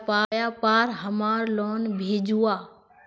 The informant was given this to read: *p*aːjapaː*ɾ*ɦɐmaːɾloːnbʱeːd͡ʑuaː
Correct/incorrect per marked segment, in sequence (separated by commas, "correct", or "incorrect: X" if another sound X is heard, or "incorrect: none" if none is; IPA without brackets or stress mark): correct, correct